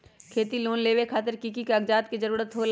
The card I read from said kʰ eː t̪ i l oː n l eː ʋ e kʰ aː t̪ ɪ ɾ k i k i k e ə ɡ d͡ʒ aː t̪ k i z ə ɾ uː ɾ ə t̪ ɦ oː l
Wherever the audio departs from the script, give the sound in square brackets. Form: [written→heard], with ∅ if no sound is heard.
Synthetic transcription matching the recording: kʰ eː t̪ i l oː n l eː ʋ e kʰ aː t̪ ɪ ɾ k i k i k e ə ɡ d͡ʒ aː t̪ k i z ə ɾ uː ɾ ə t̪ ɦ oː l